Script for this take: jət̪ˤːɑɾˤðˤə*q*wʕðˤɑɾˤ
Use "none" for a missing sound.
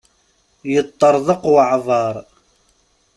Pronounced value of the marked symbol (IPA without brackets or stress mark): q